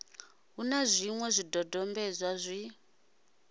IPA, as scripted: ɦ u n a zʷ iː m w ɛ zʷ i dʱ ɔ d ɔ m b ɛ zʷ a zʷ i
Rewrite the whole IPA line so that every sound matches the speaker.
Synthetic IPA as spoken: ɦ u n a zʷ i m w ɛ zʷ i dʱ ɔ d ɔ m b ɛ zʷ a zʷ i